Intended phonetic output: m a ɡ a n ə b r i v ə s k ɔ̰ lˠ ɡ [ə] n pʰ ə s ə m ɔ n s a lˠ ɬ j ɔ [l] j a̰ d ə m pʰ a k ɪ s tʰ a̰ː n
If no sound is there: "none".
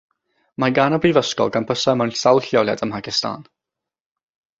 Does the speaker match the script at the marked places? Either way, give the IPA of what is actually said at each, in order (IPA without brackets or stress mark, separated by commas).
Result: a, l